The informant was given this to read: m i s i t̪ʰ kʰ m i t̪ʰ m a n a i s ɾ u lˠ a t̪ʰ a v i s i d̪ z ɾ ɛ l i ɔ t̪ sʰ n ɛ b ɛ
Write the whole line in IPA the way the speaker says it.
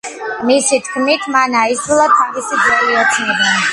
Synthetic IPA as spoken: m i s i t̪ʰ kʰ m i t̪ʰ m a n a i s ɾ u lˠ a t̪ʰ a v i s i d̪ z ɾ ɛ l i ɔ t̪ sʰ n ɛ b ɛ